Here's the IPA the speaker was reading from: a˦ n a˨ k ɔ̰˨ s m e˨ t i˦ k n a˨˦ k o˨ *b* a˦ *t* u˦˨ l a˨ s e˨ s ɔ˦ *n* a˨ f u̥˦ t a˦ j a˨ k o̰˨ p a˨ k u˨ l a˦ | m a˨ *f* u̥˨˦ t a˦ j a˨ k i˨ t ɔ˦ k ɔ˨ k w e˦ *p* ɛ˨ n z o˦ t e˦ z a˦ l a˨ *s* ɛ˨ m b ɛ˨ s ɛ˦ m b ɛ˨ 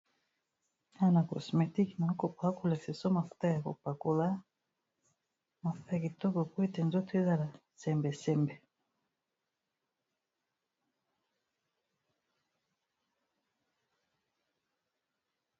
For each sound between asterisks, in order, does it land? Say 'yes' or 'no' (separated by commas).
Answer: no, no, no, yes, no, yes